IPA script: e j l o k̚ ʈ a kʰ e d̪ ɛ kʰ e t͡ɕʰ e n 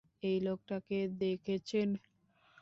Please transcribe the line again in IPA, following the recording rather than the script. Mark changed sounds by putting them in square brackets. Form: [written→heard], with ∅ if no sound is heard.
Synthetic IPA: e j l o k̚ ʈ a [kʰ→k] e d̪ [ɛ→e] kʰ e t͡ɕʰ e n